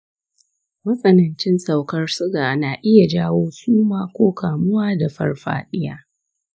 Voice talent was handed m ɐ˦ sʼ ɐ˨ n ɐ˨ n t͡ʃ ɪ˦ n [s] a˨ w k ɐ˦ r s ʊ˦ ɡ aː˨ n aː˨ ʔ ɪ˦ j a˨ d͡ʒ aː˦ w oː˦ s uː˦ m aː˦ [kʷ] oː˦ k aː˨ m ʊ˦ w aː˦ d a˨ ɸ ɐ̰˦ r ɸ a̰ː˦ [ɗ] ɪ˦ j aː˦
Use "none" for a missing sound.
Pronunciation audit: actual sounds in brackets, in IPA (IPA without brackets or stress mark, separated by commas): s, kʷ, ɗ